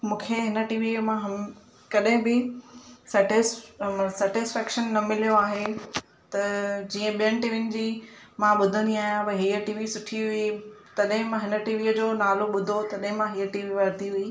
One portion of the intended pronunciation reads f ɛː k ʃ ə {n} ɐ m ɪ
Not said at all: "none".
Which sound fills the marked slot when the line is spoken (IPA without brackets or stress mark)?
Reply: nː